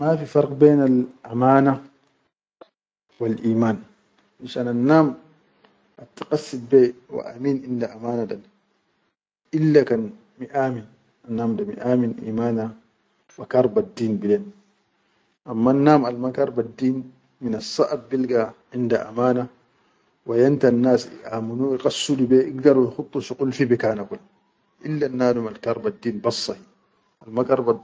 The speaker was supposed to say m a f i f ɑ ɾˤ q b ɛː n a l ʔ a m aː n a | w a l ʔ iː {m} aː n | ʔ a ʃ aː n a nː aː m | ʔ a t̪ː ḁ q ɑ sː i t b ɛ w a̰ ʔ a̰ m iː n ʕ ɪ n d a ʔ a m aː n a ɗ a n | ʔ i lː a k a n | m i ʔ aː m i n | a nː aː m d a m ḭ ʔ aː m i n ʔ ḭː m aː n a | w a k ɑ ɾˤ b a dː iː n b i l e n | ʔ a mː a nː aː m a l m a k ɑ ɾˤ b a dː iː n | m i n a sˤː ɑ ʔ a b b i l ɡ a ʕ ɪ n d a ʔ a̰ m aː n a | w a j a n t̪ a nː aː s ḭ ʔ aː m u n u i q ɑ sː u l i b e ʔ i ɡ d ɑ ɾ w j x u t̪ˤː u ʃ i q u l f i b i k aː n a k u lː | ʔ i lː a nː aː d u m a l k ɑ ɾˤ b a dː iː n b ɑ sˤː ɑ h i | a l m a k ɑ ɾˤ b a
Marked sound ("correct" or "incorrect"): correct